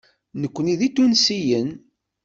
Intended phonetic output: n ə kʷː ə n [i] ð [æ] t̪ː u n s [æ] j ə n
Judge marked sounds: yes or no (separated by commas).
yes, no, no